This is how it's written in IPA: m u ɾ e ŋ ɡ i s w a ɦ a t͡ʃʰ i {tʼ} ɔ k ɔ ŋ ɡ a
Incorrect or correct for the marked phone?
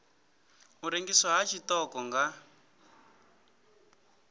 incorrect: t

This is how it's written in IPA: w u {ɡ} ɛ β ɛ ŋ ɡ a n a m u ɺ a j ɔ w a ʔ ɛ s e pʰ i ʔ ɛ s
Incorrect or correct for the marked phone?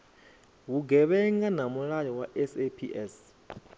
correct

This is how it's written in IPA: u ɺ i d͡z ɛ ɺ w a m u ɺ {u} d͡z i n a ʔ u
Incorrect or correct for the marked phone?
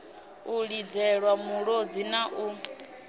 incorrect: o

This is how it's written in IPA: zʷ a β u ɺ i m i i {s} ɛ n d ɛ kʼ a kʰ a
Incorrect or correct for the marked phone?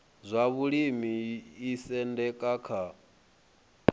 correct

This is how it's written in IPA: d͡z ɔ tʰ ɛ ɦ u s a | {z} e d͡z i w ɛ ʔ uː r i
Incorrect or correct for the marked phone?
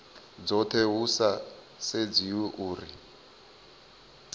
incorrect: s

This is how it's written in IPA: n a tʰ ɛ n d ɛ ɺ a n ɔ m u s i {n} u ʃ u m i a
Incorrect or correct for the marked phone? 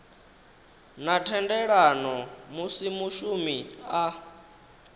incorrect: m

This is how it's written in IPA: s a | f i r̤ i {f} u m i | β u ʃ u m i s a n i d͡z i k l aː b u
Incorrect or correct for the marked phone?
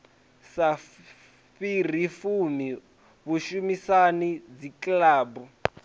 correct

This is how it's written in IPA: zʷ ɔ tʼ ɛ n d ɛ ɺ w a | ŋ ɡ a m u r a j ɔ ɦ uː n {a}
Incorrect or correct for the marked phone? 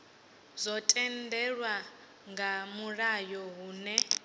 incorrect: ɛ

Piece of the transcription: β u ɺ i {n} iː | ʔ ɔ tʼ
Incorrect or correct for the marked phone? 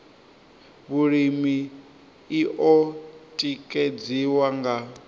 incorrect: m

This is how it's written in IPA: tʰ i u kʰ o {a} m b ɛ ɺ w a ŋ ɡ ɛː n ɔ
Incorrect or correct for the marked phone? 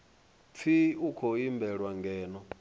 incorrect: i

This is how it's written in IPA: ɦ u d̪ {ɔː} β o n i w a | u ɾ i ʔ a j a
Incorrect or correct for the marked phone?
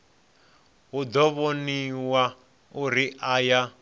incorrect: ɔ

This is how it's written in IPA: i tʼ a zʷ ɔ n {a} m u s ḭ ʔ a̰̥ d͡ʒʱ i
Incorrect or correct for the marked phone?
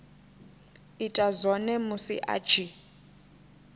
incorrect: ɛ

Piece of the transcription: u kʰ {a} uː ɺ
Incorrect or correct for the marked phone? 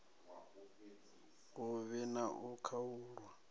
correct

